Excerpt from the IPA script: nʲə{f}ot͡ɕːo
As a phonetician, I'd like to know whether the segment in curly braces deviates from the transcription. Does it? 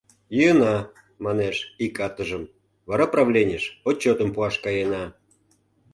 yes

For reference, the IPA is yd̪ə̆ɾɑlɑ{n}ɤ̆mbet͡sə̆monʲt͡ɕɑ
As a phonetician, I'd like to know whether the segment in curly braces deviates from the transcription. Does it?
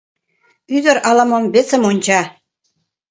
yes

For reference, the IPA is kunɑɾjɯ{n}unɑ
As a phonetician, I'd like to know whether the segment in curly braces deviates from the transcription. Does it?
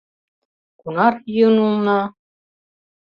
no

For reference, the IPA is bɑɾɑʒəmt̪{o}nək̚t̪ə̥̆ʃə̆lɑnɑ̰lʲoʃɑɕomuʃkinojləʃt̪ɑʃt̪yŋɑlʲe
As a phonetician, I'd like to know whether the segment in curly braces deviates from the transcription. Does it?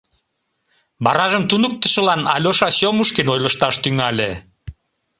yes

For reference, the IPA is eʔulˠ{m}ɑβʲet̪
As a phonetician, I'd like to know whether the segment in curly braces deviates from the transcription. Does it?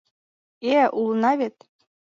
yes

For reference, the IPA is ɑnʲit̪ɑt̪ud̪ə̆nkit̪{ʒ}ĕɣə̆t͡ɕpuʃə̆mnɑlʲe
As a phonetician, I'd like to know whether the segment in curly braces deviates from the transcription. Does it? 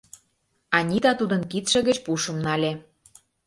yes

